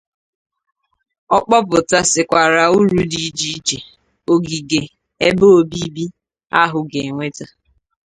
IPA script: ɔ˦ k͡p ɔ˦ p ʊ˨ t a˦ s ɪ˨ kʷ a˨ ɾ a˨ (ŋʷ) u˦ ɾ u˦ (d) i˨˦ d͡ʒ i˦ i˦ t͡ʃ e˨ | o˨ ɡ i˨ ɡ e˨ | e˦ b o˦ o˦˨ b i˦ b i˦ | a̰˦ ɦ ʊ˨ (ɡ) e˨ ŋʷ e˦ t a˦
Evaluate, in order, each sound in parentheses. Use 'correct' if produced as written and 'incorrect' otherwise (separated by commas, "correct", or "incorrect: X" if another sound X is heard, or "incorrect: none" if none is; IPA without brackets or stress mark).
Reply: incorrect: none, correct, correct